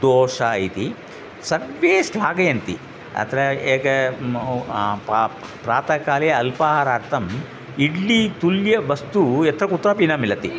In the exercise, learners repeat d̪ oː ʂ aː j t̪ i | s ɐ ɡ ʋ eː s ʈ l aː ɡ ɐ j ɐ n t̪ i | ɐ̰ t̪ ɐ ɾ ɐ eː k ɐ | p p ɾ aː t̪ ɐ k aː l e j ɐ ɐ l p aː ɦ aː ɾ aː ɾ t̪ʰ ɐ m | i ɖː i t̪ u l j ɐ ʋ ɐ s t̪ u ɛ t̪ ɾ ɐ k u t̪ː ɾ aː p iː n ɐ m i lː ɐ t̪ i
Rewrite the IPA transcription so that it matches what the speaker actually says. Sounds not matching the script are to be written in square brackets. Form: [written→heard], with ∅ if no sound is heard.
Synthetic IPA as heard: d̪ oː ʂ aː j t̪ i | s ɐ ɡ ʋ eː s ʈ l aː ɡ ɐ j ɐ n t̪ i | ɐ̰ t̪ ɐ ɾ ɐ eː k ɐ | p p ɾ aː t̪ ɐ k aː l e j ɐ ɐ l p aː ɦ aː ɾ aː ɾ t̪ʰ ɐ m | i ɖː i t̪ u l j ɐ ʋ ɐ s t̪ u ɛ t̪ ɾ ɐ k u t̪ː ɾ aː p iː n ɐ m i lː ɐ t̪ i